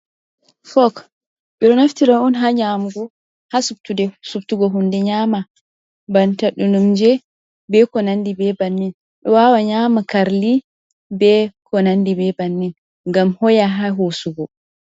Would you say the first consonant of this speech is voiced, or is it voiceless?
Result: voiceless